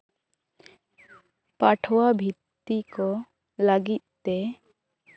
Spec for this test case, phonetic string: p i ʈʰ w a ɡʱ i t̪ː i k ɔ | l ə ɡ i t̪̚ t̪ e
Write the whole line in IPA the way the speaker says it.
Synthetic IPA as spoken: p a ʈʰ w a bʱ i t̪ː i k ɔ | l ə ɡ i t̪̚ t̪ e

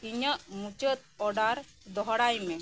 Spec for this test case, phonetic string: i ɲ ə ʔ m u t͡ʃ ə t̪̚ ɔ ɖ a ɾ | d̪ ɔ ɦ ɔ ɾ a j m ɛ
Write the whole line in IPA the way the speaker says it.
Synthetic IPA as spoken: i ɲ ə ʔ m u t͡ʃ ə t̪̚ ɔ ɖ a ɾ | d̪ ɔ ɦ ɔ ɽ a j m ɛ

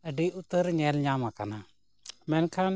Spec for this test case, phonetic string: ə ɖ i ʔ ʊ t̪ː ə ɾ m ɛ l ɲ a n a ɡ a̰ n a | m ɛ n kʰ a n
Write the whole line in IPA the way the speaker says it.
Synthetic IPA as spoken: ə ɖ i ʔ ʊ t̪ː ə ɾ ɲ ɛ l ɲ a m a k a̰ n a | m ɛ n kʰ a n

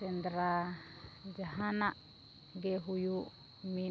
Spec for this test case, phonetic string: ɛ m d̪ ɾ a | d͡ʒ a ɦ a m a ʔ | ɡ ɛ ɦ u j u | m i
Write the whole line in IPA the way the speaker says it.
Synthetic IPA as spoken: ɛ n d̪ ɾ a | d͡ʒ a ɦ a n a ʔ | ɡ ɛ ɦ u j u | m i

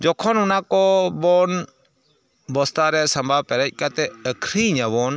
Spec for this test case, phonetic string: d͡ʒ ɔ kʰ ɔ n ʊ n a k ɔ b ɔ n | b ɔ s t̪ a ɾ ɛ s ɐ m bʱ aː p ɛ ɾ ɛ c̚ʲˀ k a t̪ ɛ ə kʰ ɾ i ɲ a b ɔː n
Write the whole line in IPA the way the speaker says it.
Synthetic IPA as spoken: d͡ʒ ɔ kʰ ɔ n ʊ n a k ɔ b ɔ n | b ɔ s t̪ a ɾ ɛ s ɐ m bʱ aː p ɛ ɾ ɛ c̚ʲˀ k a t̪ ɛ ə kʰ ɾ i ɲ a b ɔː n

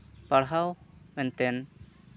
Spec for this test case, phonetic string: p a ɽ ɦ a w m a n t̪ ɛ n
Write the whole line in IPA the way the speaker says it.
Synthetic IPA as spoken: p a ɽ ɦ a w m ɛ n t̪ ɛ n

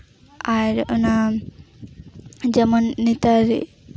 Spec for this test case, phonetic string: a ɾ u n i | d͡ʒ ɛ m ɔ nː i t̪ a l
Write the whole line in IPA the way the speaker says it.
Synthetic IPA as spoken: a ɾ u n a | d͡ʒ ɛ m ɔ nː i t̪ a ɾ

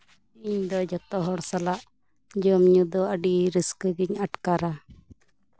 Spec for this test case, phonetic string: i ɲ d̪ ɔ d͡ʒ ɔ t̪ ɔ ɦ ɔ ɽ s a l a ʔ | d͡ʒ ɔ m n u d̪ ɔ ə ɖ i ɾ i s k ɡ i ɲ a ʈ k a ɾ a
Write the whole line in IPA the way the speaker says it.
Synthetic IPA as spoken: i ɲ d̪ ɔ d͡ʒ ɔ t̪ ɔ ɦ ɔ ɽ s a l a ʔ | d͡ʒ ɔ m ɲ u d̪ ɔ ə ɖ i ɾ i s k ɡ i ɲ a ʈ k a ɾ a

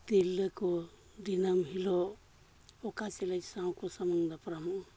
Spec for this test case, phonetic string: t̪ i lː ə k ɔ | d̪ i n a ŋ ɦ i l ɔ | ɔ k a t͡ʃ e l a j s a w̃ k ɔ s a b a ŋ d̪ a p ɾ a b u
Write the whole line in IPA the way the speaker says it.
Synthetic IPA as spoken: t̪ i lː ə k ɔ | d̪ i n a m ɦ i l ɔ | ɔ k a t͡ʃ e l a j s a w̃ k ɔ s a m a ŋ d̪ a p ɾ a m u

